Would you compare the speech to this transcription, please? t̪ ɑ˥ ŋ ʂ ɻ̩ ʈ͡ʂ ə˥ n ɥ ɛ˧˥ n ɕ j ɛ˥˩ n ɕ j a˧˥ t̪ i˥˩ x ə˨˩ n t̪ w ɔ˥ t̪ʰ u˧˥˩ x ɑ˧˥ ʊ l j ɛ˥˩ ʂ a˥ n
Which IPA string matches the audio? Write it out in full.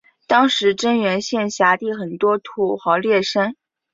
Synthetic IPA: t̪ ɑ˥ ŋ ʂ ɻ̩ ʈ͡ʂ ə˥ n ɥ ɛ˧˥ n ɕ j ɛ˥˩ n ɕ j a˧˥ t̪ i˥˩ x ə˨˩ n t̪ w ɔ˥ t̪ʰ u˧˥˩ x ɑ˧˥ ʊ l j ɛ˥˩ ʂ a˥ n